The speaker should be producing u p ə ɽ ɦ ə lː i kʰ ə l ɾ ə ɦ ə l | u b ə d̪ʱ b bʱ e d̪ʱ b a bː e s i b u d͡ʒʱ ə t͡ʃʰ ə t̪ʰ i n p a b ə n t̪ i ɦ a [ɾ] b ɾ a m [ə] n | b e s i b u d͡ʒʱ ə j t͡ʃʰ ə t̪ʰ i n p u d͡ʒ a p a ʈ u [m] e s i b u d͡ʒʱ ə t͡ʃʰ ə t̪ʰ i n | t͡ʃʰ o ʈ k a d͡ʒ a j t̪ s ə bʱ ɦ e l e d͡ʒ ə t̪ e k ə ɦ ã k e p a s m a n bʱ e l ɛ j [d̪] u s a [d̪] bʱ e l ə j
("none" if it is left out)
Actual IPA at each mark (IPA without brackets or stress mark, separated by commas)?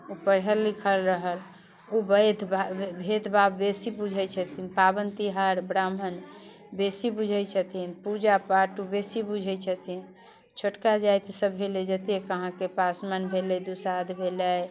ɾ, ə, b, d̪, d̪